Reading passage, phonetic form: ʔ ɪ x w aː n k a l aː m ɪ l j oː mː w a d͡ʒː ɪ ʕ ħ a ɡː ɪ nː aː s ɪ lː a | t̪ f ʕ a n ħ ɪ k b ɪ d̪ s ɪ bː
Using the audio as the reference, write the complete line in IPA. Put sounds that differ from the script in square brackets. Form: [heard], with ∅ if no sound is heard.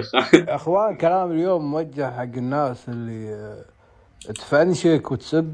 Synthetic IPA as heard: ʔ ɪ x w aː n k a l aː m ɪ l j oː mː w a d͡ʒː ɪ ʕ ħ a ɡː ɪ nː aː s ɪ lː [i] | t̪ f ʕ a n [ʃ] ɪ k [w] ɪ [t̪] s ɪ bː